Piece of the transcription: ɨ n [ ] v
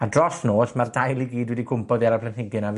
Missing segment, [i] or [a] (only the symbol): a